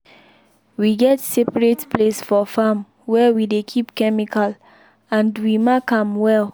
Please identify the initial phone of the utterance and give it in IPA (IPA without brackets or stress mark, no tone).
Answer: w